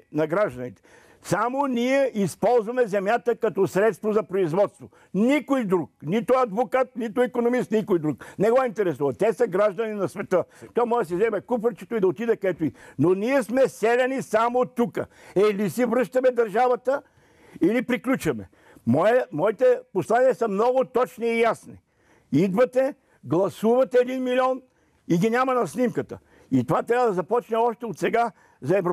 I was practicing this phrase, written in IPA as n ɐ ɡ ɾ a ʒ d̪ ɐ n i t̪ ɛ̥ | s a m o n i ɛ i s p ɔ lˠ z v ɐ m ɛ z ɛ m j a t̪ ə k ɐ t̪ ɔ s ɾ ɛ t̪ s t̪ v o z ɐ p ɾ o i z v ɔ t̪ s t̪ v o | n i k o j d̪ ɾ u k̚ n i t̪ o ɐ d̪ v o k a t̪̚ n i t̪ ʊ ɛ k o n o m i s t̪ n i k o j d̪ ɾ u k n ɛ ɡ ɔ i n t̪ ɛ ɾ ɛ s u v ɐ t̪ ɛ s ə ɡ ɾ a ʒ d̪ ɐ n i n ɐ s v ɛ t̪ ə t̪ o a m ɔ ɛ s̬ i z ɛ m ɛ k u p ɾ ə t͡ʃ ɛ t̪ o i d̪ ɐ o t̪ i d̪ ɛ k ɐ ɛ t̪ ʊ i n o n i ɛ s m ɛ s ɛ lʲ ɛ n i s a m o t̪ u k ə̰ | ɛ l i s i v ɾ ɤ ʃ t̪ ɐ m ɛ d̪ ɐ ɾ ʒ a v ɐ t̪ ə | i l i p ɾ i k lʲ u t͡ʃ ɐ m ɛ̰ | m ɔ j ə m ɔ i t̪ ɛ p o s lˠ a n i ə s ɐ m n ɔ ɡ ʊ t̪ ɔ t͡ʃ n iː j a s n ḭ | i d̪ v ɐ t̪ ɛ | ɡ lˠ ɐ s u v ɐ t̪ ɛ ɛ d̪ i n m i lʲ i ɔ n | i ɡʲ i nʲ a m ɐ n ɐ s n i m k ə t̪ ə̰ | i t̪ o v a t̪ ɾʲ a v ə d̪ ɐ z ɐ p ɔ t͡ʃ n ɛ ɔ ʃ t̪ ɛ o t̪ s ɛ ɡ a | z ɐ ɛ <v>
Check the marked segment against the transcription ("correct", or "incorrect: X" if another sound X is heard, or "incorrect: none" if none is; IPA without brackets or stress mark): correct